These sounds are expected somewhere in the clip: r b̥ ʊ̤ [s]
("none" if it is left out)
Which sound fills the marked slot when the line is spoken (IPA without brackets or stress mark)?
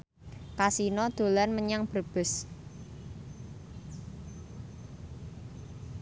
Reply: s